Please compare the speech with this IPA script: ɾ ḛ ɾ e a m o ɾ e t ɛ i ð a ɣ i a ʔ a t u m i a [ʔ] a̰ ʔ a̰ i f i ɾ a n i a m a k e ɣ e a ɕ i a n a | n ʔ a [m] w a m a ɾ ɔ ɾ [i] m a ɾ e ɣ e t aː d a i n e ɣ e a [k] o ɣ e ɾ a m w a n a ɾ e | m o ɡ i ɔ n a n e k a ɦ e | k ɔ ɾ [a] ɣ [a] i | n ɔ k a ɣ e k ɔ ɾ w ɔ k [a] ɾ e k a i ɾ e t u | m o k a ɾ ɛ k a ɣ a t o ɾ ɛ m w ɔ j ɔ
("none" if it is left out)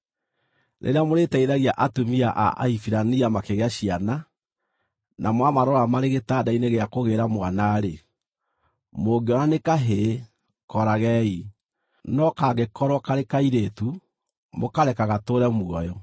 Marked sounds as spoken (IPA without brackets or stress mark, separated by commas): ʔ, m, a, k, a, ɛ, a